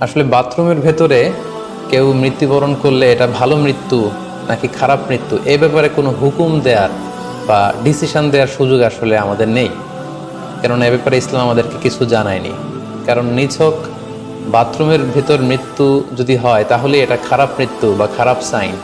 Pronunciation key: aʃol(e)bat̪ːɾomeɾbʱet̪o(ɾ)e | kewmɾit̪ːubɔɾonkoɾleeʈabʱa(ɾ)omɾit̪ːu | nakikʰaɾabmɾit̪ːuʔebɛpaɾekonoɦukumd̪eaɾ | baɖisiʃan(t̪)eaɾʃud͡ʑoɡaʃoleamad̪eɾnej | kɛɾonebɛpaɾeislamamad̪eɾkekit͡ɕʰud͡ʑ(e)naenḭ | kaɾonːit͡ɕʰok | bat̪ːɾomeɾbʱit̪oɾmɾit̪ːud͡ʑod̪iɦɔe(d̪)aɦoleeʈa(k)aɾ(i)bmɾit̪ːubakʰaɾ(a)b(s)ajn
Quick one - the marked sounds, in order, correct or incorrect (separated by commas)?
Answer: correct, correct, incorrect, incorrect, incorrect, incorrect, incorrect, incorrect, correct, correct